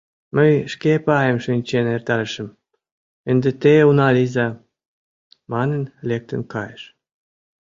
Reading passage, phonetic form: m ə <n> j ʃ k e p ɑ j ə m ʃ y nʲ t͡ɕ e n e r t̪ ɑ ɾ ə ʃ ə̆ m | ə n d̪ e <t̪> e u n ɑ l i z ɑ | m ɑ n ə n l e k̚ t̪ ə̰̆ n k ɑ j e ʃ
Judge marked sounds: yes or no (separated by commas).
no, yes